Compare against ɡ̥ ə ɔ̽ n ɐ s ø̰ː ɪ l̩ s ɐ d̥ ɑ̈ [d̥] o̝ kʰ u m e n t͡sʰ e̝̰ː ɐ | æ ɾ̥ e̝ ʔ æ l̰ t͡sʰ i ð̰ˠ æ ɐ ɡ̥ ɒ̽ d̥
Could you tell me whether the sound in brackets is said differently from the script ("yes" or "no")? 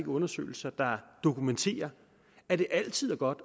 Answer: no